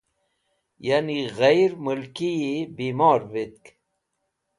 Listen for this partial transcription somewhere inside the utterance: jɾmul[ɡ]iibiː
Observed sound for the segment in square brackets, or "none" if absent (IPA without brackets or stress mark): k